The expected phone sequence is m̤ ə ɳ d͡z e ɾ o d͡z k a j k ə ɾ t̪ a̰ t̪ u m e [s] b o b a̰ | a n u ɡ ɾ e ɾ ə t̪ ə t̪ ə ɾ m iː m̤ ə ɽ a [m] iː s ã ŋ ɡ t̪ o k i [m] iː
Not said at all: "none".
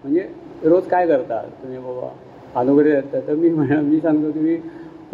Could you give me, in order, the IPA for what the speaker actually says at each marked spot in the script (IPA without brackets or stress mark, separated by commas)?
none, m, m